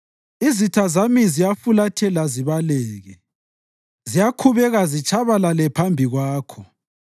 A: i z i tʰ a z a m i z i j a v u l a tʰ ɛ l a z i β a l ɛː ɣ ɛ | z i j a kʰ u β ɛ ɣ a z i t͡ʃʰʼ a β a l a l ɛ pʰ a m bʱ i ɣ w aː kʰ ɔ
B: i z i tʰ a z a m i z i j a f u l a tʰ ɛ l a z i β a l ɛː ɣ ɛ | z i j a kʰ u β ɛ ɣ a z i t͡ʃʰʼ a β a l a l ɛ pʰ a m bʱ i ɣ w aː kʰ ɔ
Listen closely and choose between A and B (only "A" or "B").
B